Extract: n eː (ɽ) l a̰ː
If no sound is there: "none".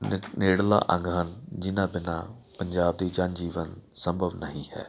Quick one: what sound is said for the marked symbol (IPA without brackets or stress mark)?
ɽ